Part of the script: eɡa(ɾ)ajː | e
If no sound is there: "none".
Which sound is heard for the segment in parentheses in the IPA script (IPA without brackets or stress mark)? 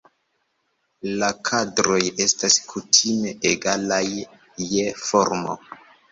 l